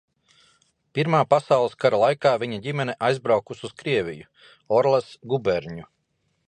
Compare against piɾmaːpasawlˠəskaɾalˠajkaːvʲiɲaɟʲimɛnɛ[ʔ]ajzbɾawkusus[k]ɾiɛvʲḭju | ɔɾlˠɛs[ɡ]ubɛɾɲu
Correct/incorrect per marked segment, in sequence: correct, correct, correct

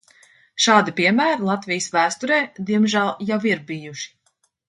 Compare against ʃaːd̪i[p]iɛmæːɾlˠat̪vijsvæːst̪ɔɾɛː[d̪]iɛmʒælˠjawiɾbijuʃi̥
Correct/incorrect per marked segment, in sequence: correct, correct

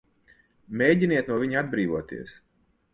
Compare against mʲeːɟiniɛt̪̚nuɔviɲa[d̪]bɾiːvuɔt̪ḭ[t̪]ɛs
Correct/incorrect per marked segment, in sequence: correct, incorrect: none

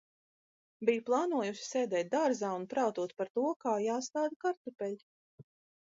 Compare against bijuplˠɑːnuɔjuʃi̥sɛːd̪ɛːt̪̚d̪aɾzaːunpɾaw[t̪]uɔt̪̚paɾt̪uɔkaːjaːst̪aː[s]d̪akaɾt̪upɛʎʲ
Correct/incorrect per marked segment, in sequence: correct, incorrect: none

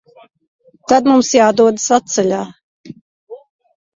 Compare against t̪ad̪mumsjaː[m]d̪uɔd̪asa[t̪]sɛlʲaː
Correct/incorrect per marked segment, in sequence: incorrect: none, correct

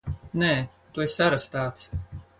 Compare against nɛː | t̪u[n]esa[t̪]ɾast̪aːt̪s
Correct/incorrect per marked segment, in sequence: incorrect: none, incorrect: none

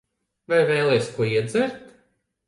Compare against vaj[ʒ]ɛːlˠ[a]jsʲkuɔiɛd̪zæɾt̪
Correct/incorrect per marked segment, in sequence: incorrect: v, incorrect: ɛ

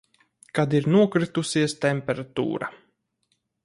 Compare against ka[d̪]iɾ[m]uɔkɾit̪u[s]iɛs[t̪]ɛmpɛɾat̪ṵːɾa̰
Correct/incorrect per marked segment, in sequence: correct, incorrect: n, correct, correct

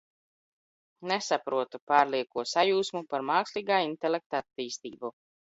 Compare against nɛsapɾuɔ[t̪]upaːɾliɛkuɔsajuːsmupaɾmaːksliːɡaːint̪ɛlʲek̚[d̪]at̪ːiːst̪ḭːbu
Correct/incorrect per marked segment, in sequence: correct, incorrect: t̪

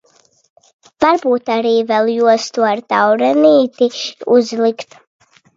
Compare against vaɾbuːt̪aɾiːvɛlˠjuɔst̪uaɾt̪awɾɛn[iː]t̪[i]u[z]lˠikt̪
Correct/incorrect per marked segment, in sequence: correct, correct, correct

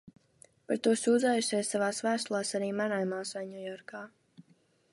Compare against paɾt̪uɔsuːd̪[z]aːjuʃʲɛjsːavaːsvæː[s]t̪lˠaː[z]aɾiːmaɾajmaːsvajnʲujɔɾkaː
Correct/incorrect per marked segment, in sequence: correct, correct, incorrect: s

